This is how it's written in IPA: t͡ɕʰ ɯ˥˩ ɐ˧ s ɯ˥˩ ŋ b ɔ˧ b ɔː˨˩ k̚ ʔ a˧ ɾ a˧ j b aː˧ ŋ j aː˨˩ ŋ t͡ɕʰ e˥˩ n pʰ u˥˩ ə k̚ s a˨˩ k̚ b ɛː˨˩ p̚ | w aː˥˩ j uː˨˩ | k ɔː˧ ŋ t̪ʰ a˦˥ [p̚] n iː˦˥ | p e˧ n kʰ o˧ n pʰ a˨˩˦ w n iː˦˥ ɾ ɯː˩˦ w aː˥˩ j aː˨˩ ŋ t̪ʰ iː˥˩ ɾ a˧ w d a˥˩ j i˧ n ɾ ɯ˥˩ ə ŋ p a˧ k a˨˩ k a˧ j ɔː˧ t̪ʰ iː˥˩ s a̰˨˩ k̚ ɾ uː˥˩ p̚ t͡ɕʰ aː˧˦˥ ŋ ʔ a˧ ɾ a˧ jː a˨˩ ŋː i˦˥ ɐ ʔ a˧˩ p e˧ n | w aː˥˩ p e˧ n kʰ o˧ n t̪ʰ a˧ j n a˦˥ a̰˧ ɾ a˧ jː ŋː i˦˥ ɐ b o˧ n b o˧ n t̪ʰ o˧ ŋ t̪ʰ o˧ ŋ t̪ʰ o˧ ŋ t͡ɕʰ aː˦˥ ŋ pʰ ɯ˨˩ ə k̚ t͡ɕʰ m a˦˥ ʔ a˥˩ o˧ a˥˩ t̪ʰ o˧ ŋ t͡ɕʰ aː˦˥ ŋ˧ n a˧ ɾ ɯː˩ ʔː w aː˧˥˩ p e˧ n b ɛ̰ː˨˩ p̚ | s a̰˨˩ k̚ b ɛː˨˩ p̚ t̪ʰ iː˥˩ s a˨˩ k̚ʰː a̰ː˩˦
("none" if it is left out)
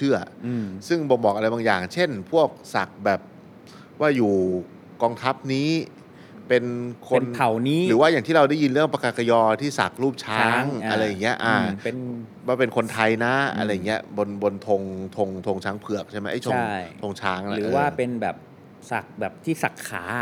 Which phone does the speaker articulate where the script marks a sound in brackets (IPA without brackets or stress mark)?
p̚